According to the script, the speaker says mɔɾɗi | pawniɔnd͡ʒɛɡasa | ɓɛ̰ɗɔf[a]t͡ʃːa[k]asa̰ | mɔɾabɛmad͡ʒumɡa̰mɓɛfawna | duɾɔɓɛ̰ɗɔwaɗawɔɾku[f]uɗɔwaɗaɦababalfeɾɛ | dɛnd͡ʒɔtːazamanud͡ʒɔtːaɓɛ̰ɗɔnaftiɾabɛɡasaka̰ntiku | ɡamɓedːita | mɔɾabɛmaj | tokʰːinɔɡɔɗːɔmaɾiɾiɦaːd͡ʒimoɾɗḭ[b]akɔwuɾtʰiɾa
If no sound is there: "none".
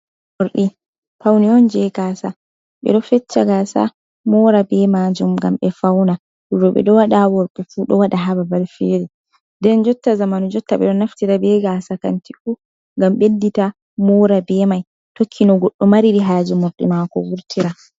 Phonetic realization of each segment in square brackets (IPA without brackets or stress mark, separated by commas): ɛ, ɡ, f, m